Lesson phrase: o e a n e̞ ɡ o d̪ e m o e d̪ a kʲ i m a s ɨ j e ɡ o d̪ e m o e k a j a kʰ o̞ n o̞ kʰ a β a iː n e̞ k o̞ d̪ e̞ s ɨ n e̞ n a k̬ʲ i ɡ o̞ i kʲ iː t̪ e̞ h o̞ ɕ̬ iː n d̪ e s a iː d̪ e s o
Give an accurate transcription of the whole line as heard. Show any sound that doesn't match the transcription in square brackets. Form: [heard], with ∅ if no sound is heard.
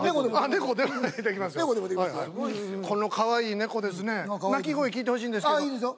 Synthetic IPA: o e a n e̞ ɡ o d̪ e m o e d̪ [e] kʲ i m a s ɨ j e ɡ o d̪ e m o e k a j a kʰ o̞ n o̞ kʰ a β a iː n e̞ k o̞ d̪ e̞ s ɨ n e̞ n a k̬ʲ i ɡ o̞ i kʲ iː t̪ e̞ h o̞ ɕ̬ iː n d̪ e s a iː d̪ e s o